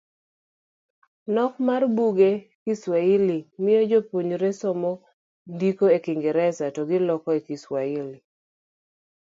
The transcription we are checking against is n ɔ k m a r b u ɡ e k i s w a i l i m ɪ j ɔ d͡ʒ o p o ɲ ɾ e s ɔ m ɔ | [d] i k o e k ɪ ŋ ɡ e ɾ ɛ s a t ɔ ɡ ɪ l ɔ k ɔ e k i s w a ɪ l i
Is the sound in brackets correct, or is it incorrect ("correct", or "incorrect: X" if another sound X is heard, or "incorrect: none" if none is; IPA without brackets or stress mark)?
correct